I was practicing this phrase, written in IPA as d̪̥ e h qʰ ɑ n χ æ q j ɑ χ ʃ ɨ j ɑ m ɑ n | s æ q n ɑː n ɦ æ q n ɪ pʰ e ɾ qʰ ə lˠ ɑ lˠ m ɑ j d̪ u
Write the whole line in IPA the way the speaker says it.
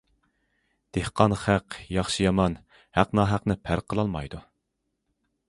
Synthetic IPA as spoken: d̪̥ e h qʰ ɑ n χ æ q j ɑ χ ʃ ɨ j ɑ m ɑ n | h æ q n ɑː ɦ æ q n ɪ pʰ æ ɾ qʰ ə lˠ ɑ lˠ m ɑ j d̪ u

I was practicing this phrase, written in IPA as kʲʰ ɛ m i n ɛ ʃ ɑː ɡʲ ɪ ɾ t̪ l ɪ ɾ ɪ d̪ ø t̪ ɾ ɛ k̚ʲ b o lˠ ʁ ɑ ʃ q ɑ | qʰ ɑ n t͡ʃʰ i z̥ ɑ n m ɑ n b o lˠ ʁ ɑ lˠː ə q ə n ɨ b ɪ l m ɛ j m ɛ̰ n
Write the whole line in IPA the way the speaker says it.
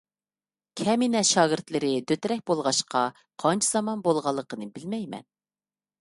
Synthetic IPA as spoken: kʲʰ ɛ m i n ɛ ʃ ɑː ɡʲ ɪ ɾ t̪ l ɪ ɾ ɪ d̪ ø t̪ ɾ ɛ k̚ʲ b o lˠ ʁ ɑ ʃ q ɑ | qʰ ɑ n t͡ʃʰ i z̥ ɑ m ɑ n b o lˠ ʁ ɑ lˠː ə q ə n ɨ b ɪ l m ɛ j m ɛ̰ n

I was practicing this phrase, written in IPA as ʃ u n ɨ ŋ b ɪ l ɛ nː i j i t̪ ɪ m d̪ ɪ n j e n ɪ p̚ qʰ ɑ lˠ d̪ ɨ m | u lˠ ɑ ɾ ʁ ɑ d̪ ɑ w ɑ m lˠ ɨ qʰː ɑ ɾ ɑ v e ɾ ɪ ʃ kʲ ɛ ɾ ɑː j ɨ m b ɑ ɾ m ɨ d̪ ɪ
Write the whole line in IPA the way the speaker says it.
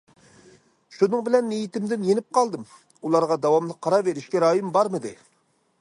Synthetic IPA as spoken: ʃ u n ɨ ŋ b ɪ l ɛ nː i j i t̪ ɪ m d̪ ɪ n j e n ɪ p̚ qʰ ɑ lˠ d̪ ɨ m | u lˠ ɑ ɾ ʁ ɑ d̪ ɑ w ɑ m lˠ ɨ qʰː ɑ ɾ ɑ v e ɾ ɪ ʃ kʲ ɛ ɾ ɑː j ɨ m b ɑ ɾ m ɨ d̪ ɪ

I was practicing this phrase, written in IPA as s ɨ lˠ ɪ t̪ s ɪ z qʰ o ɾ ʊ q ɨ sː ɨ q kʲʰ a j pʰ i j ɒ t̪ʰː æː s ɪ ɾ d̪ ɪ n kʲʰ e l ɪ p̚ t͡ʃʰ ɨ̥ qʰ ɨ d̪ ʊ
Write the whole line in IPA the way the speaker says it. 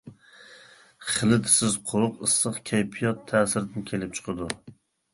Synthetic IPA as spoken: χ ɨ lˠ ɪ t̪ s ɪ z qʰ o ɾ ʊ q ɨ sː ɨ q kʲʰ a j pʰ i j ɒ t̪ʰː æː s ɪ ɾ d̪ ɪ n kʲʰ e l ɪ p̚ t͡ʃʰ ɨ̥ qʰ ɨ d̪ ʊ

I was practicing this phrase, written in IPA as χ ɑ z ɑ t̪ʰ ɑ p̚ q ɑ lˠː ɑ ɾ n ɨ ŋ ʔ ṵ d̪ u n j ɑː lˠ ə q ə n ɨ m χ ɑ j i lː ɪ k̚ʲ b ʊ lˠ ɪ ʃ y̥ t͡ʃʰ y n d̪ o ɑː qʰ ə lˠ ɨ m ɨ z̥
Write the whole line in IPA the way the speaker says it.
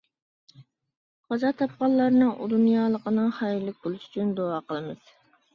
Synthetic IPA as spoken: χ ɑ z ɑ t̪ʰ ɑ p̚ q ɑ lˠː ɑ ɾ n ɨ ŋ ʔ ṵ d̪ u n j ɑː lˠ ə q ə n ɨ ŋ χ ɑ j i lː ɪ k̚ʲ b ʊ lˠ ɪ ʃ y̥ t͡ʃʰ y n d̪ o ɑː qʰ ə lˠ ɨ m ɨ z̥

